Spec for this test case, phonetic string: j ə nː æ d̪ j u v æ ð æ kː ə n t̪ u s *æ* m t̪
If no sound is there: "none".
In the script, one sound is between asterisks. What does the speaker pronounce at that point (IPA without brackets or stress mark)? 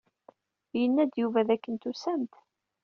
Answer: æ